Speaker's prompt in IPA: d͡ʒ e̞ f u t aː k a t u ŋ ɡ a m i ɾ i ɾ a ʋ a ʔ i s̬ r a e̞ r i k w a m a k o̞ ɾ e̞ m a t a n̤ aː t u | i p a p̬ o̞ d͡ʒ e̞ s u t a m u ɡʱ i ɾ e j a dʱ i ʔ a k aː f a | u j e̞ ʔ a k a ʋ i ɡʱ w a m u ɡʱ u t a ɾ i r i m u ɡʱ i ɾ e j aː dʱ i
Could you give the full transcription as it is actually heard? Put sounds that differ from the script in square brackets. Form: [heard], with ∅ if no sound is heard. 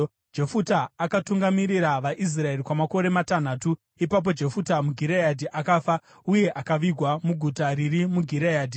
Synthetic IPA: d͡ʒ e̞ f u t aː k a t u ŋ ɡ a m i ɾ i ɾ a ʋ a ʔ i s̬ r a e̞ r i k w a m a k o̞ ɾ e̞ m a t a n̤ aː t u | i p a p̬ o̞ d͡ʒ e̞ [f] u t a m u ɡʱ i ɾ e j a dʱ i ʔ a k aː f a | u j e̞ ʔ a k a ʋ i ɡʱ w a m u ɡʱ u t a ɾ i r i m u ɡʱ i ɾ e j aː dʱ i